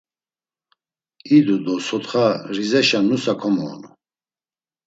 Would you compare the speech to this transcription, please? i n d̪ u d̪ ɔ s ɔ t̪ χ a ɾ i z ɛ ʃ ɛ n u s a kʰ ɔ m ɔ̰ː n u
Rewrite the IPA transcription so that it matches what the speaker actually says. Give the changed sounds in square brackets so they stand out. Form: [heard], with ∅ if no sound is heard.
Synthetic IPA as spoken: i [∅] d̪ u d̪ ɔ s ɔ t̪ χ a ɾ i z ɛ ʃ [a] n u s a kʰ ɔ m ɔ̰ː n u